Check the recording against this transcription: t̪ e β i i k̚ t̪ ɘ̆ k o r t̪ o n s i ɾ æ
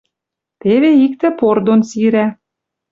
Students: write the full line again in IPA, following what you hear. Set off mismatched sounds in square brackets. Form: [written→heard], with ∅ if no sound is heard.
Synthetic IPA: t̪ e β [i→e] i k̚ t̪ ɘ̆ [k→p] o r [t̪→d̪] o n s i ɾ æ